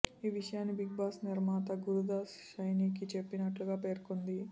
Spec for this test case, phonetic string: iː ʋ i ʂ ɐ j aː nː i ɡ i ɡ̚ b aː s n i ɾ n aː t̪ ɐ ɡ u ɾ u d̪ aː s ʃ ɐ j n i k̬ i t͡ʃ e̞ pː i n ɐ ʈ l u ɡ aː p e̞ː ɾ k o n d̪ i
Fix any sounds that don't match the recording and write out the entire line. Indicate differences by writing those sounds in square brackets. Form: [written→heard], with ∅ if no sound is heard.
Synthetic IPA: iː ʋ i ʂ ɐ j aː nː i [ɡ→b] i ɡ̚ b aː s n i ɾ [n→m] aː t̪ ɐ ɡ u ɾ u d̪ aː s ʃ ɐ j n i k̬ i t͡ʃ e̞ pː i n ɐ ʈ l u ɡ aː p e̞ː ɾ k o n d̪ i

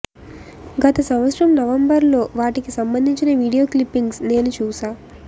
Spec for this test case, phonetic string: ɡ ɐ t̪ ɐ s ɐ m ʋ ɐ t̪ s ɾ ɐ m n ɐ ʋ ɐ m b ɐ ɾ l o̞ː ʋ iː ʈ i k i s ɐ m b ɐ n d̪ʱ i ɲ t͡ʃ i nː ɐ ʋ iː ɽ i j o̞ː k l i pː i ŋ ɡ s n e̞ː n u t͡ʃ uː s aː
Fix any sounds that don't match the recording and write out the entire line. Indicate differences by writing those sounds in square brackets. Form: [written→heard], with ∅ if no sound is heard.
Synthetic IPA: ɡ ɐ t̪ ɐ s ɐ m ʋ ɐ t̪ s ɾ ɐ m n ɐ ʋ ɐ m b ɐ ɾ l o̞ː ʋ [iː→aː] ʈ i k i s ɐ m b ɐ n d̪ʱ i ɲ t͡ʃ i [nː→n] ɐ ʋ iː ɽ i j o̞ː k l i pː i ŋ ɡ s n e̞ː n u t͡ʃ uː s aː

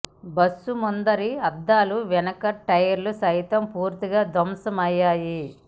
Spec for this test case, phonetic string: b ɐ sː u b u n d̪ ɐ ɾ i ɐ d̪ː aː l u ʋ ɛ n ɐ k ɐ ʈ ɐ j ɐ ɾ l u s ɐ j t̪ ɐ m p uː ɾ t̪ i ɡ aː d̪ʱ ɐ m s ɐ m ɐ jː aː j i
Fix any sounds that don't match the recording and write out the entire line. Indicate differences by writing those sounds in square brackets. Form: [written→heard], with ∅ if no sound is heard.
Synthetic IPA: b ɐ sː u [b→m] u n d̪ ɐ ɾ i ɐ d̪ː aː l u ʋ ɛ n ɐ k ɐ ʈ ɐ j ɐ ɾ l u s ɐ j t̪ ɐ m p uː ɾ t̪ i ɡ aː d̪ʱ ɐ m s ɐ m ɐ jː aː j i

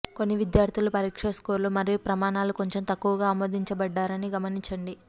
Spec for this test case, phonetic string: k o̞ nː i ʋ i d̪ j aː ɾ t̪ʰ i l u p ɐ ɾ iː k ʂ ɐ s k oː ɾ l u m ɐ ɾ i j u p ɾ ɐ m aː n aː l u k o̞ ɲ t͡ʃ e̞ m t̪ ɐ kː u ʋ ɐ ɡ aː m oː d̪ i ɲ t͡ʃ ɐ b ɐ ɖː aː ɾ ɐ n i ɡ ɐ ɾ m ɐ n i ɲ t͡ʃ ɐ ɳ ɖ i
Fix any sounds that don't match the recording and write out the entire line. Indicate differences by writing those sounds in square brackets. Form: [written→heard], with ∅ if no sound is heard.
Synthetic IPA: k o̞ nː i ʋ i d̪ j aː ɾ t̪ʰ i l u p ɐ ɾ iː k ʂ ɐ s k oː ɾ l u m ɐ ɾ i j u p ɾ ɐ m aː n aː l u k o̞ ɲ t͡ʃ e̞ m t̪ ɐ kː u ʋ ɐ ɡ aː m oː d̪ i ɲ t͡ʃ ɐ b ɐ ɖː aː ɾ ɐ n i ɡ ɐ [ɾ→∅] m ɐ n i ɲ t͡ʃ ɐ ɳ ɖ i

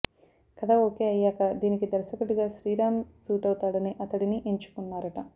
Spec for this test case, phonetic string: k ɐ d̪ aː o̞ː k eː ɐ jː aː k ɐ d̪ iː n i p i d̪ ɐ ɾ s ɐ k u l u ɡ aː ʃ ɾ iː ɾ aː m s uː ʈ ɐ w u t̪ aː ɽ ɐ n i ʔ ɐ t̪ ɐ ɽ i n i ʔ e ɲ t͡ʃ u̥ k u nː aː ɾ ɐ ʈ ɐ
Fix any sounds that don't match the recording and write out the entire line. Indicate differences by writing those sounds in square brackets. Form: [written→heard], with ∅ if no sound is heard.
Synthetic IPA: k ɐ d̪ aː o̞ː k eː ɐ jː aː k ɐ d̪ iː n i [p→k] i d̪ ɐ ɾ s ɐ k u [l→ɽ] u ɡ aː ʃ ɾ iː ɾ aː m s uː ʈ ɐ w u t̪ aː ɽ ɐ n i ʔ ɐ t̪ ɐ ɽ i n i ʔ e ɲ t͡ʃ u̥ k u nː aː ɾ ɐ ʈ ɐ

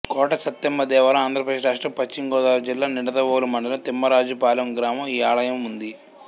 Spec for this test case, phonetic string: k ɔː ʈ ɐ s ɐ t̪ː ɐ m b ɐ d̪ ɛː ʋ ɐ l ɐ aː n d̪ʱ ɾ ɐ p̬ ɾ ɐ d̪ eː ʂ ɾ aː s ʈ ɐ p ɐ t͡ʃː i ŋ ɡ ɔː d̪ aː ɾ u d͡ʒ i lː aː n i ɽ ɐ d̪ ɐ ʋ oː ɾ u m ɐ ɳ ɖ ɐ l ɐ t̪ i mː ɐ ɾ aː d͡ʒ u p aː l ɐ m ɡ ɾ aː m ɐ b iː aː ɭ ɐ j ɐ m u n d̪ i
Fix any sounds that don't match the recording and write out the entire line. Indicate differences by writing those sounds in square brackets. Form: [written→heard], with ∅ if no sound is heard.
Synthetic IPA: k ɔː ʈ ɐ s ɐ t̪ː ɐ m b ɐ d̪ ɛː ʋ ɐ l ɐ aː n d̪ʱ ɾ ɐ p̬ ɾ ɐ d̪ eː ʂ ɾ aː [s→ʂ] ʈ ɐ p ɐ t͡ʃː i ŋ ɡ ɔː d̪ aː ɾ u d͡ʒ i lː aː n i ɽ ɐ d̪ ɐ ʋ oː [ɾ→l] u m ɐ ɳ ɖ ɐ l ɐ t̪ i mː ɐ ɾ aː d͡ʒ u p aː l ɐ m ɡ ɾ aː m ɐ [b→m] iː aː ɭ ɐ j ɐ m u n d̪ i

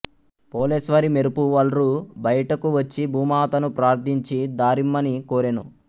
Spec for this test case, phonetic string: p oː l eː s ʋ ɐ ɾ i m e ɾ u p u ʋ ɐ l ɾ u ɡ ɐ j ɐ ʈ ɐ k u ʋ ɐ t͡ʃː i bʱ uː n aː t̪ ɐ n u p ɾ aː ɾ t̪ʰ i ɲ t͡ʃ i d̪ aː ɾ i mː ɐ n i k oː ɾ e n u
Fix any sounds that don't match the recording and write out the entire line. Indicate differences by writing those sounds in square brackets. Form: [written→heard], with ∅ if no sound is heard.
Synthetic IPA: p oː l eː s ʋ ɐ ɾ i m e ɾ u p u ʋ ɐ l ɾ u [ɡ→b] ɐ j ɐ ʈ ɐ k u ʋ ɐ t͡ʃː i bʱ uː [n→m] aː t̪ ɐ n u p ɾ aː ɾ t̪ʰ i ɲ t͡ʃ i d̪ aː ɾ i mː ɐ n i k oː ɾ e n u

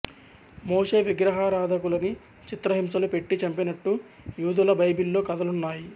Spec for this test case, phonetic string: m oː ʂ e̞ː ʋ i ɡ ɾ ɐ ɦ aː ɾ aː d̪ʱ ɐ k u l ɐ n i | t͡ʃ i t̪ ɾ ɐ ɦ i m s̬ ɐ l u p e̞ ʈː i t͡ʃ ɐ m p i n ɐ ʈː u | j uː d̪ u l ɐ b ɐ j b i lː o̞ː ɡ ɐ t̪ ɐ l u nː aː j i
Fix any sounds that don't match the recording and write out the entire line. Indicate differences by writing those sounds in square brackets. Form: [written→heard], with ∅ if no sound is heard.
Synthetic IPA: m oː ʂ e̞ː ʋ i ɡ ɾ ɐ ɦ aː ɾ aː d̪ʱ ɐ k u l ɐ n i | t͡ʃ i t̪ ɾ ɐ ɦ i m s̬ ɐ l u p e̞ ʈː i t͡ʃ ɐ m p i n ɐ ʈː u | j uː d̪ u l ɐ b ɐ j b i lː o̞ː [ɡ→k] ɐ [t̪→d̪] ɐ l u nː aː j i

